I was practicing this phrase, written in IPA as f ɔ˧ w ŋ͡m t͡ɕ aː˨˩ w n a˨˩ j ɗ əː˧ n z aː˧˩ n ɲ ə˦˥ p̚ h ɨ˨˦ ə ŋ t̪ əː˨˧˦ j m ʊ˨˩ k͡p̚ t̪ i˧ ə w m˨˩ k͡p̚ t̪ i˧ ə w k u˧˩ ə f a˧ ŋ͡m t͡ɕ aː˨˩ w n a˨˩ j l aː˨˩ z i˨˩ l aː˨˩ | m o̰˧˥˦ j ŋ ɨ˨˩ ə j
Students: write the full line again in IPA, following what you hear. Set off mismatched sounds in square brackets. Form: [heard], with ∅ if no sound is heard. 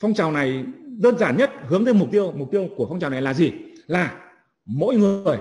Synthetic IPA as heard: f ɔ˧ w ŋ͡m t͡ɕ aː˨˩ w n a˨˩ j ɗ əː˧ n z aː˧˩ n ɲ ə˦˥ [t̚] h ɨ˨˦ ə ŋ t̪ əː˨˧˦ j m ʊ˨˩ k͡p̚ t̪ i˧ ə w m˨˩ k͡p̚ t̪ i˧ ə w k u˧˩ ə f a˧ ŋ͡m t͡ɕ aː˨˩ w n a˨˩ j l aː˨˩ z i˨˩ l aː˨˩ | m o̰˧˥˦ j ŋ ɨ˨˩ ə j